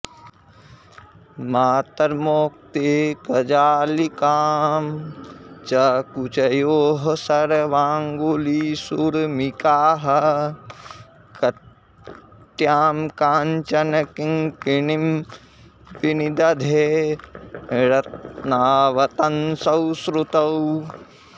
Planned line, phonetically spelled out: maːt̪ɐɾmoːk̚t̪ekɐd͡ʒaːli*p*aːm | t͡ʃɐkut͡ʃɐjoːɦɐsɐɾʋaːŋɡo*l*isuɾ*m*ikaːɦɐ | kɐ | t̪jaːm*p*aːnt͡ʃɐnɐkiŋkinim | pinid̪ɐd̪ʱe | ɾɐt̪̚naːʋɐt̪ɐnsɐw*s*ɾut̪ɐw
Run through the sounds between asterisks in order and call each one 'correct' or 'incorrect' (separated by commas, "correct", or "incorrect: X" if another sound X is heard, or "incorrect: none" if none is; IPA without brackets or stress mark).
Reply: incorrect: k, correct, correct, incorrect: k, correct